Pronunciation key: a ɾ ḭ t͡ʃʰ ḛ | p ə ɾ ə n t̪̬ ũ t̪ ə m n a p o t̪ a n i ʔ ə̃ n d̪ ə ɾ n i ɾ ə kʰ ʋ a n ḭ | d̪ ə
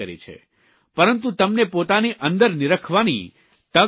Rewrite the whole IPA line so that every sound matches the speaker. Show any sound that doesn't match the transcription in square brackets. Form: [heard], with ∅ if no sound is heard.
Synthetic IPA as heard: [ə] ɾ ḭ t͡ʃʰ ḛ | p ə ɾ ə n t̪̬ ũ t̪ ə m n [e] p o t̪ a n i ʔ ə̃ n d̪ ə ɾ n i ɾ ə kʰ ʋ a n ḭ | [t̪] ə